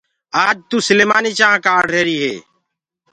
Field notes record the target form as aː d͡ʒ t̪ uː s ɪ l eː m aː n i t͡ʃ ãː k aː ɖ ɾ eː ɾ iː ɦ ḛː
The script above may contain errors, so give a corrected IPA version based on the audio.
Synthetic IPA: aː d͡ʒ t̪ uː s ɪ l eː m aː n i t͡ʃ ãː k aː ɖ ɾ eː ɾ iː ɦ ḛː